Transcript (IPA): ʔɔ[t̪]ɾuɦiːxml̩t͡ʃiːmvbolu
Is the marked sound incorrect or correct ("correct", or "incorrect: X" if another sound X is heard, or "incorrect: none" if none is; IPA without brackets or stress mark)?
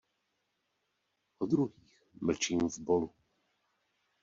incorrect: d̪